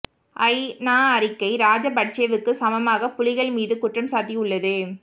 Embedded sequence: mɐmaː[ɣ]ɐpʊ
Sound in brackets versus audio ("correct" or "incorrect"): correct